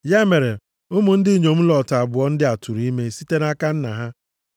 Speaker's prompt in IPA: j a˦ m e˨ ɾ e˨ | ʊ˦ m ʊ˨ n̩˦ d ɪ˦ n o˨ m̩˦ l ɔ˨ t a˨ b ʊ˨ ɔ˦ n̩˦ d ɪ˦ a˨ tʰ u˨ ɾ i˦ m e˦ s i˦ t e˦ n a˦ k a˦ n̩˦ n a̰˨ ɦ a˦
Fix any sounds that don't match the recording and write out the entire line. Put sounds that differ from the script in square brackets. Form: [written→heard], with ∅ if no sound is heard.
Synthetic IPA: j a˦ m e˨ ɾ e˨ | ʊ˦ m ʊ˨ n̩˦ d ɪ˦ [n→ɲ] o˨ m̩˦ l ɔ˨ t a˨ b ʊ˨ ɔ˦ n̩˦ d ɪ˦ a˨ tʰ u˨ ɾ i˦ m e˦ s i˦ t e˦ n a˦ k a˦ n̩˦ n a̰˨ ɦ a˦